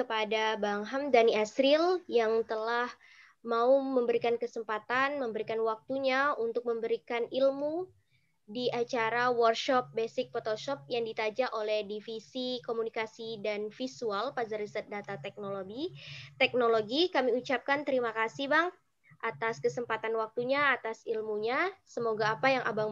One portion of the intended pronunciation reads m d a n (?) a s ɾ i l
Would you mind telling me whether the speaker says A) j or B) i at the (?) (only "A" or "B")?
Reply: B